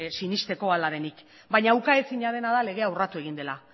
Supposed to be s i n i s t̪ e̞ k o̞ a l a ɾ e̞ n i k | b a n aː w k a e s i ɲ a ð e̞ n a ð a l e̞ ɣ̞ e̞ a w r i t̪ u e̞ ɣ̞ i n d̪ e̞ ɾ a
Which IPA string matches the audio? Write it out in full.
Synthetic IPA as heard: s i n i s t̪ e̞ k o̞ a l a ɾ e̞ n i k | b a ɲ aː w k a e s i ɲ a ð e̞ n a ð a l e̞ ɣ̞ e̞ a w r a t̪ u e̞ ɣ̞ i n d̪ e̞ l a